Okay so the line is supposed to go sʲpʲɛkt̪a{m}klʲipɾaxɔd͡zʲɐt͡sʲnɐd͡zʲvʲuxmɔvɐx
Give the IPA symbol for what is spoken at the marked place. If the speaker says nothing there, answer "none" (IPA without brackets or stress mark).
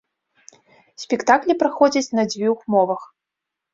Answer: none